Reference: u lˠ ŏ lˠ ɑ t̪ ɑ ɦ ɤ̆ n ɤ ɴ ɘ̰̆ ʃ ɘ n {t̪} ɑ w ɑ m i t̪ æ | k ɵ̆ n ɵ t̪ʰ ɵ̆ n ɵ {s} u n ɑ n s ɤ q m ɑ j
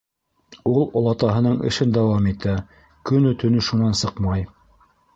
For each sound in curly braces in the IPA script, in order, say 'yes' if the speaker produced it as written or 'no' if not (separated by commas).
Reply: no, no